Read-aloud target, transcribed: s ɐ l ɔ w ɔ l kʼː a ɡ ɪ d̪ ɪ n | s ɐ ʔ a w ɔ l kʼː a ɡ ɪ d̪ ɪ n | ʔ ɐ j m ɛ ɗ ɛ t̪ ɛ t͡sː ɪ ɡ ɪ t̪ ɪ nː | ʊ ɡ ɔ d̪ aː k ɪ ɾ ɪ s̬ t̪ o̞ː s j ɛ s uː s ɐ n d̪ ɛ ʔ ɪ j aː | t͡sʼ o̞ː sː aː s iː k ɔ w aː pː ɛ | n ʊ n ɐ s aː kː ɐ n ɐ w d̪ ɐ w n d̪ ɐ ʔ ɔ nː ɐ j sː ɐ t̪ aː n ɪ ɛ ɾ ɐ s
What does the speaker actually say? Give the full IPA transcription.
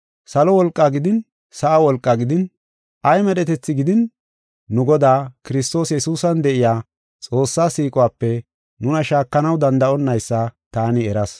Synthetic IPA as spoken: s ɐ l ɔ w ɔ l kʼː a ɡ ɪ d̪ ɪ n | s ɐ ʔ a w ɔ l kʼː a ɡ ɪ d̪ ɪ n | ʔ ɐ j m ɛ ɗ ɛ t̪ ɛ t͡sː ɪ ɡ ɪ d̪ ɪ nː | ʊ ɡ ɔ d̪ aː k ɪ ɾ ɪ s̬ t̪ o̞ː s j ɛ s uː s ɐ n d̪ ɛ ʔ ɪ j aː | t͡sʼ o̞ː sː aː s iː kʼ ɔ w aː pː ɛ | n ʊ n ɐ ʃ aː kː ɐ n ɐ w d̪ ɐ n d̪ ɐ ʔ ɔ nː ɐ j sː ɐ t̪ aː n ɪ ɛ ɾ ɐ s